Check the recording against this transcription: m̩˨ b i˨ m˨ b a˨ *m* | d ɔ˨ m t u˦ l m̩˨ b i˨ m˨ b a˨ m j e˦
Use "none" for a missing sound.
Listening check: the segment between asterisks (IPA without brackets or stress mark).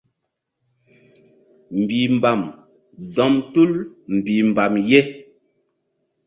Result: m